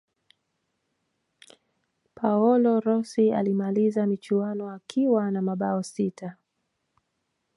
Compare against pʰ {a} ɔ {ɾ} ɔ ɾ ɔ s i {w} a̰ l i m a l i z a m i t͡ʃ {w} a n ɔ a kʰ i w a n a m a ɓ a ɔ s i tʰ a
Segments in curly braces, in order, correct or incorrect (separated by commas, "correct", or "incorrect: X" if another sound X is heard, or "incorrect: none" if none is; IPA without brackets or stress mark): correct, incorrect: l, incorrect: none, incorrect: u